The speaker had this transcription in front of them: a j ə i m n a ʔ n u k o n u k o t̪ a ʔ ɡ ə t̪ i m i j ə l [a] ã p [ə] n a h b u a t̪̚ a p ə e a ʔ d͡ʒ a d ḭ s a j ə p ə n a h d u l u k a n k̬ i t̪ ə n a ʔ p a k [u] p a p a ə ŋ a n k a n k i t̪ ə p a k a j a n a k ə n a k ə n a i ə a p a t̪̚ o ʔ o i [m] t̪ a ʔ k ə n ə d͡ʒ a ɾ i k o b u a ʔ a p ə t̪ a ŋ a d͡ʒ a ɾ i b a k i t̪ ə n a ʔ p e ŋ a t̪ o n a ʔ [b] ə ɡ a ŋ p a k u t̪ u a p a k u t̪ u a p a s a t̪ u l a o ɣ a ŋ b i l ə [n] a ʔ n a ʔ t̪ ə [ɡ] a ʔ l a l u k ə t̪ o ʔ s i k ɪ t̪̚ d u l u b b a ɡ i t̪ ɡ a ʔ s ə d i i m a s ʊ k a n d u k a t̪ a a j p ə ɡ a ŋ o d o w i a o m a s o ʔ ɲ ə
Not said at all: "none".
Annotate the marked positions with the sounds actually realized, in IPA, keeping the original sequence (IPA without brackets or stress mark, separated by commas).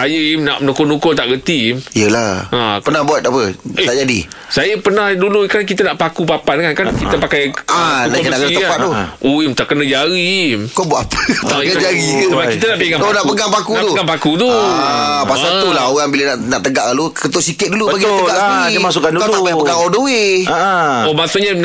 a, ə, u, m, p, n, ɡ